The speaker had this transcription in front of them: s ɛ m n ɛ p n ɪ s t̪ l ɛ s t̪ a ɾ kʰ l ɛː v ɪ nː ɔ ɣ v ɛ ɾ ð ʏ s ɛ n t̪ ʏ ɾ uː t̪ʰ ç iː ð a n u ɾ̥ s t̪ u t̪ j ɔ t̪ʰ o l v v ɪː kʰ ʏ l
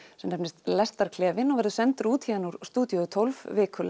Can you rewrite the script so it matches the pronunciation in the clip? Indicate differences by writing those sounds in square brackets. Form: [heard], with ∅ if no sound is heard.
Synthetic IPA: s ɛ m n ɛ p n ɪ s t̪ l ɛ s t̪ a ɾ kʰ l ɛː v ɪ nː ɔ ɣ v ɛ ɾ ð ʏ s ɛ n t̪ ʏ ɾ uː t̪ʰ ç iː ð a n u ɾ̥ s t̪ [uː] t̪ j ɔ t̪ʰ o l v v ɪː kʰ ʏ l